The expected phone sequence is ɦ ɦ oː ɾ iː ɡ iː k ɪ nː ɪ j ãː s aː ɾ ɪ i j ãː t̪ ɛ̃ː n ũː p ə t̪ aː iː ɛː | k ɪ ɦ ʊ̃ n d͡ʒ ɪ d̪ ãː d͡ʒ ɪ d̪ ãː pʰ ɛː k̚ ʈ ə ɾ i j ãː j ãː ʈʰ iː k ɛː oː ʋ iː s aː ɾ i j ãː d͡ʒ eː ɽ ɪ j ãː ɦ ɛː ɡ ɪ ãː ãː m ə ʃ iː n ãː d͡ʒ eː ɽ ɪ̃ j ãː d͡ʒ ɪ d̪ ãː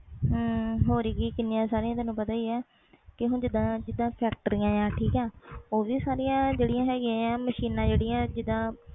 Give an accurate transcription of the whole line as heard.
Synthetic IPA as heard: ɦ ɦ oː ɾ iː ɡ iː k ɪ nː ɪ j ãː s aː ɾ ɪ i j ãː t̪ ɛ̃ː n ũː p ə t̪ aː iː ɛː | k ɪ ɦ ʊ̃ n d͡ʒ ɪ d̪ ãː d͡ʒ ɪ d̪ ãː pʰ ɛː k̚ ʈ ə ɾ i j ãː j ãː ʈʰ iː k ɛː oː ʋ iː s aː ɾ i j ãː d͡ʒ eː ɽ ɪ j ãː ɦ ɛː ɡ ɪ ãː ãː m ə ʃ iː n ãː d͡ʒ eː ɽ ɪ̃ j ãː d͡ʒ ɪ d̪ ãː